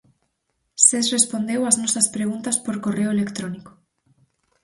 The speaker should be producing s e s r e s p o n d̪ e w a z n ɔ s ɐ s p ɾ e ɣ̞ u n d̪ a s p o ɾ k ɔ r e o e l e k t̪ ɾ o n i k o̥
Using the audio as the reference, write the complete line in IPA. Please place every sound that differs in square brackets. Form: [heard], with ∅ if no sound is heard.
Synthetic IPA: s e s r e s p o n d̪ e w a z n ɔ s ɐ s p ɾ e ɣ̞ u n [t̪] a s p o ɾ k [o] r e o e l e k t̪ ɾ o n i k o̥